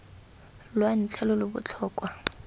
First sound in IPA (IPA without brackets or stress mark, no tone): l